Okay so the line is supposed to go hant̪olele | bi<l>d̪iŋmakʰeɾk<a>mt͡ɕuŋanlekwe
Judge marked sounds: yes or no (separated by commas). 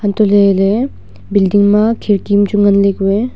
yes, no